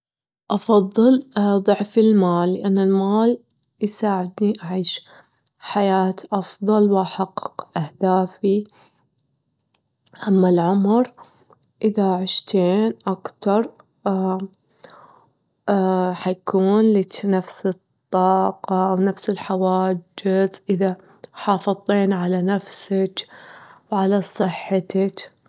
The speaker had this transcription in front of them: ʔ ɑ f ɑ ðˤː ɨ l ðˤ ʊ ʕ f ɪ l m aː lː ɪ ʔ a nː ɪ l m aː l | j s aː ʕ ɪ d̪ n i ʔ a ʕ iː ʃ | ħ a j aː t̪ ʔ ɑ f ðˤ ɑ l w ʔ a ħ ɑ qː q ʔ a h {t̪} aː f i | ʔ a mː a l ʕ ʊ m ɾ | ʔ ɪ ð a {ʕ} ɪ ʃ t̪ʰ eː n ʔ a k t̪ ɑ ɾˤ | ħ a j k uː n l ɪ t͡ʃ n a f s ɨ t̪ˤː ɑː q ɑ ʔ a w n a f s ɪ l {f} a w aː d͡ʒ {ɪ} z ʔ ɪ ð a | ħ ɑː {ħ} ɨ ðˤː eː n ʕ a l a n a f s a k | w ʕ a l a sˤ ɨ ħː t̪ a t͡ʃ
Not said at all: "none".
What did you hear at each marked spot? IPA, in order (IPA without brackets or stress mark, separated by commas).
d̪, ʕ, ħ, ɪ, f